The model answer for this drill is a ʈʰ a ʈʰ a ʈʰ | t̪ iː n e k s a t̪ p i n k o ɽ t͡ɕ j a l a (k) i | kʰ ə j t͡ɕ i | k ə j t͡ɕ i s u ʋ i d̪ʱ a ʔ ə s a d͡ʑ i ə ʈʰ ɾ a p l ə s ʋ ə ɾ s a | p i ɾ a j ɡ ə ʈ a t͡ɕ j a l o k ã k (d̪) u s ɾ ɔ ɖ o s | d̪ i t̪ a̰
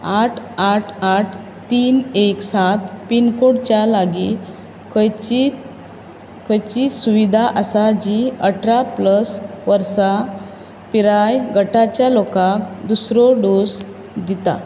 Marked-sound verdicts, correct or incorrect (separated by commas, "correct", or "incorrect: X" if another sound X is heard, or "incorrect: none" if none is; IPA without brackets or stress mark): incorrect: ɡ, correct